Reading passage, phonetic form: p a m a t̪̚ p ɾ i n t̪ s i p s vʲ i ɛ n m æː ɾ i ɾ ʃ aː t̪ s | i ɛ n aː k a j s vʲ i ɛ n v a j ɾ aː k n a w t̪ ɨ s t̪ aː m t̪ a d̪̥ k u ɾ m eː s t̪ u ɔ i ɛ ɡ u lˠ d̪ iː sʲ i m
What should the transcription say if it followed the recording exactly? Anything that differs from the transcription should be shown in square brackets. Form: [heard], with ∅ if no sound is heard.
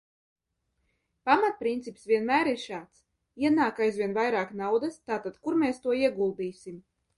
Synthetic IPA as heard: p a m a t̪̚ p ɾ i n t̪ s i p s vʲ i ɛ n m æː ɾ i ɾ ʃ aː t̪ s | i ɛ n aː k a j [z] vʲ i ɛ n v a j ɾ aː k n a w [d̪] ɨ s t̪ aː [∅] t̪ a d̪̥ k u ɾ m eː s t̪ u ɔ i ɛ ɡ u lˠ d̪ iː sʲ i m